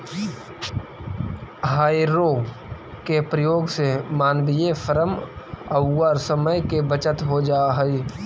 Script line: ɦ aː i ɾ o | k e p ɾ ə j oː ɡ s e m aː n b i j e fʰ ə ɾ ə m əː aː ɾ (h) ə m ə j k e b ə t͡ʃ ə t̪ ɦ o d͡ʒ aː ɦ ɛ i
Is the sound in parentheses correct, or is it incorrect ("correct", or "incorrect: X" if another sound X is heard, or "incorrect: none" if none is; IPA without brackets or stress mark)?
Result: incorrect: s